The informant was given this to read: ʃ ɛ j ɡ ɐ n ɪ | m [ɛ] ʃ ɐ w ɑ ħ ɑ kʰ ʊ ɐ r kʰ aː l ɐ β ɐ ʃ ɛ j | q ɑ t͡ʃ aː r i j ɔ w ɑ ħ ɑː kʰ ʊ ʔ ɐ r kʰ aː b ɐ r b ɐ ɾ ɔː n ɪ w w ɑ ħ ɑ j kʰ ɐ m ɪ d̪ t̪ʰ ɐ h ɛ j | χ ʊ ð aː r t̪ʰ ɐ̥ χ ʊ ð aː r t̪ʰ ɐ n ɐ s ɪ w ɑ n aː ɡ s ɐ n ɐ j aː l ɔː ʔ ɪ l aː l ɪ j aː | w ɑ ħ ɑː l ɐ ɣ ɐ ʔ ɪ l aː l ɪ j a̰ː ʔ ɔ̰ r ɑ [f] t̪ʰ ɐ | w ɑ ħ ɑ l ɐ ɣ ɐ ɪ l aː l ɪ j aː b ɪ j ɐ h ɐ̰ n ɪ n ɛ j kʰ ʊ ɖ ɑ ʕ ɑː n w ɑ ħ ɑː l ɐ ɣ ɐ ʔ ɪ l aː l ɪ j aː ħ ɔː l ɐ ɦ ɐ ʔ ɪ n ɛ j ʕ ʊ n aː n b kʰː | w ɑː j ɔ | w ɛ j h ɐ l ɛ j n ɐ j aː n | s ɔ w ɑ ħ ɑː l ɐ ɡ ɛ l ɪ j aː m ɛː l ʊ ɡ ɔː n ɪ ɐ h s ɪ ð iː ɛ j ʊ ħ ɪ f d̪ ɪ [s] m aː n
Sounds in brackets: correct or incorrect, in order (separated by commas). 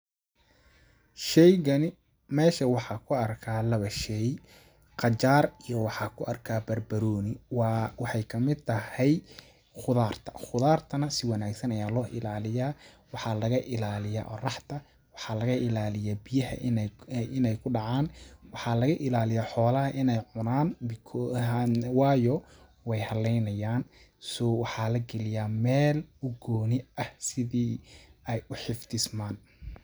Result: incorrect, incorrect, correct